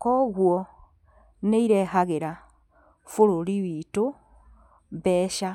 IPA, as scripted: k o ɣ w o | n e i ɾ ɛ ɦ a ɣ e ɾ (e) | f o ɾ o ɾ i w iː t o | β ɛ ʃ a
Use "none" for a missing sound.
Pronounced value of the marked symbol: a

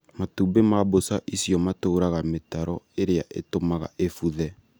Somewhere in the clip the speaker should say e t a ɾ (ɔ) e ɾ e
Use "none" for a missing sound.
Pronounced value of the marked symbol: ɔ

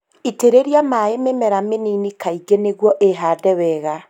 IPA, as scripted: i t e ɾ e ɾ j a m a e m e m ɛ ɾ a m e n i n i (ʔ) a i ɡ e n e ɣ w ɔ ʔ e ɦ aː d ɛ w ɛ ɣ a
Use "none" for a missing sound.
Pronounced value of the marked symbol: k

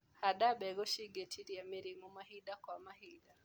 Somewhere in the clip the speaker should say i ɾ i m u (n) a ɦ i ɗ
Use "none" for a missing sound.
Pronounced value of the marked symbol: m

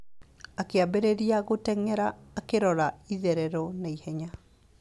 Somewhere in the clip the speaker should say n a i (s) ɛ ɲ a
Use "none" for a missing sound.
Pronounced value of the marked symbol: h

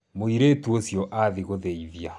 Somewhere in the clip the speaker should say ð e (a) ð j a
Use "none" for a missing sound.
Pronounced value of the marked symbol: i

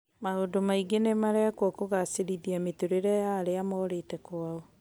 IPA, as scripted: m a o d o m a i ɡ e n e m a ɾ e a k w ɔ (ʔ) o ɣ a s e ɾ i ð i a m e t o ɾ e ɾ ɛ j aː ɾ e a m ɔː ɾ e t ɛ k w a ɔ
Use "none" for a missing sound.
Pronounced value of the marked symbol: k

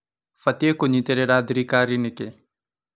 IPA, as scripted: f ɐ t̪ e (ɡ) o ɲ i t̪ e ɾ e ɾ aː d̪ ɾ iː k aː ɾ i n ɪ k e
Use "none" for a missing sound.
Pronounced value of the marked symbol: k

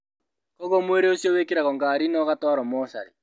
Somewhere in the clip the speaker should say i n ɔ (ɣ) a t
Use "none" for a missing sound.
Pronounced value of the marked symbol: ɣ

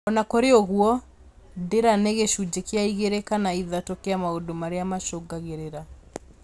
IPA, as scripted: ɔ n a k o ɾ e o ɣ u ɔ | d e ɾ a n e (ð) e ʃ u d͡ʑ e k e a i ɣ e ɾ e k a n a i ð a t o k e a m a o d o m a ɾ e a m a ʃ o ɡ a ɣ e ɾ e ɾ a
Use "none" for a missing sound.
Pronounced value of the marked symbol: ɣ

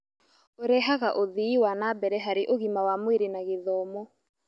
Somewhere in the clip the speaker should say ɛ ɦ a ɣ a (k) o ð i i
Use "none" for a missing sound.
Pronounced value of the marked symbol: ʔ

